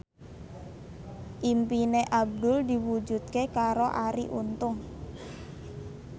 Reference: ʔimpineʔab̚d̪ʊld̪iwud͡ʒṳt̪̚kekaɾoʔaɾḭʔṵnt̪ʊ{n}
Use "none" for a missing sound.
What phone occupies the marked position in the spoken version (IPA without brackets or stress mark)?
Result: ŋ